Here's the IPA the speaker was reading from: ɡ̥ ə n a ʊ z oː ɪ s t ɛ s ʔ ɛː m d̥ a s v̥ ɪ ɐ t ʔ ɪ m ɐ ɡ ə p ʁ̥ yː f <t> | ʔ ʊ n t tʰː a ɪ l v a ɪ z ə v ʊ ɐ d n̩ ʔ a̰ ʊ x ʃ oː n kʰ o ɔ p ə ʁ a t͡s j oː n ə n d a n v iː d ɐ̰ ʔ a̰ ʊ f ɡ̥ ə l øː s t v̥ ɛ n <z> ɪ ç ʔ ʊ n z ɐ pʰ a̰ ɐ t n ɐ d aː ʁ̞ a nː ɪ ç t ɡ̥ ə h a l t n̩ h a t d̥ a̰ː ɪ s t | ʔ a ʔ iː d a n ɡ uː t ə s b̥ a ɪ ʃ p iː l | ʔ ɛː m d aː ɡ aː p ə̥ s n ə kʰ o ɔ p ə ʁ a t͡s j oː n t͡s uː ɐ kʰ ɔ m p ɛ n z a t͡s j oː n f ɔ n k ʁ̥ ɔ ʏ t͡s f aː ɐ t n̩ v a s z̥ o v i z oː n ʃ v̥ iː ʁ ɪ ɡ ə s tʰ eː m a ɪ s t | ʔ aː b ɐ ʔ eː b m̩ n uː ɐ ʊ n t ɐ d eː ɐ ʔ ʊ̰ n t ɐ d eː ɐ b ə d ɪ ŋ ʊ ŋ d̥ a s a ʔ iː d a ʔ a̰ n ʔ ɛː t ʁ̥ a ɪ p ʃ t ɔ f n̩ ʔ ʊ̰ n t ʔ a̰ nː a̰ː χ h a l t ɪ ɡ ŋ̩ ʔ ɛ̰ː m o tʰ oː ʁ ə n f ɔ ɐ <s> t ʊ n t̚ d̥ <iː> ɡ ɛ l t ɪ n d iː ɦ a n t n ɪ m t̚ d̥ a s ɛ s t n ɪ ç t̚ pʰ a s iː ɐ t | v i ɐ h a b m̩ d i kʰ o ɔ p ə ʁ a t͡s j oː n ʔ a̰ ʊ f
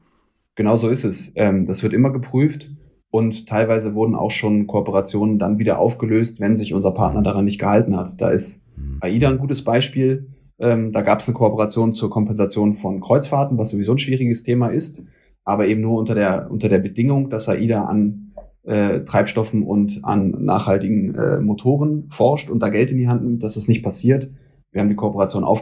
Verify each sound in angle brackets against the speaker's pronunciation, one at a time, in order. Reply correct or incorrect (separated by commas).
correct, correct, incorrect, incorrect